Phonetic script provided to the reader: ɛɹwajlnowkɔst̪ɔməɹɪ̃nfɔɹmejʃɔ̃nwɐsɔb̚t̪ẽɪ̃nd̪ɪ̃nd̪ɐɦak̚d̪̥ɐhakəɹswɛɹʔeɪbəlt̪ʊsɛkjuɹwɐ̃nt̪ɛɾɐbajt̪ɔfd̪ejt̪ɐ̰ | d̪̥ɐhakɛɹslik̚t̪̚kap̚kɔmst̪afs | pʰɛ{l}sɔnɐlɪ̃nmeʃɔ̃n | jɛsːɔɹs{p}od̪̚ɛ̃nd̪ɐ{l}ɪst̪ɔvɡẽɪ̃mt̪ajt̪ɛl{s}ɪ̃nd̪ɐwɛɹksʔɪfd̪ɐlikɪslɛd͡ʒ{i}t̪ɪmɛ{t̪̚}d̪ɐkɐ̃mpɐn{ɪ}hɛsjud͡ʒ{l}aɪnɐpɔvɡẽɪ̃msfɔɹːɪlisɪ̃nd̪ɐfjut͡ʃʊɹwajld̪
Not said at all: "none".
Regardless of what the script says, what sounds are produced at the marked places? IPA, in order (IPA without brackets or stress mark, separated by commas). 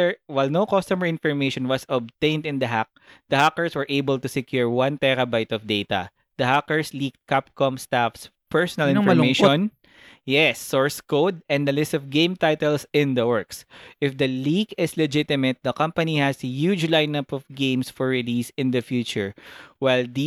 ɹ, k, l, s, ɪ, t̪̚, i, l